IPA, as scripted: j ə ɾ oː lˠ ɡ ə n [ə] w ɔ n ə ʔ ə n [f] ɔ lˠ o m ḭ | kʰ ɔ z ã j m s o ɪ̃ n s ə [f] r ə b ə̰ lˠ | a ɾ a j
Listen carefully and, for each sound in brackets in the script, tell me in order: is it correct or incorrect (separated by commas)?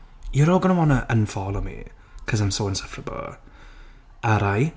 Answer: correct, correct, correct